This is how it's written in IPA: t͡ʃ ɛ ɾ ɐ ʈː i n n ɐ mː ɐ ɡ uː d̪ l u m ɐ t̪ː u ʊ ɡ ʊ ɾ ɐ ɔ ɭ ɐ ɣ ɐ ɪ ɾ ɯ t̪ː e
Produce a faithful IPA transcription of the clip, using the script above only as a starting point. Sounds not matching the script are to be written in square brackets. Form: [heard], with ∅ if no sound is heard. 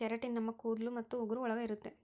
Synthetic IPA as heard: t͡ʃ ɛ ɾ ɐ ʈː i n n ɐ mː ɐ [k] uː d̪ l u m ɐ t̪ː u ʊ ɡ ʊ ɾ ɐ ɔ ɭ ɐ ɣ ɐ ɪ ɾ ɯ t̪ː e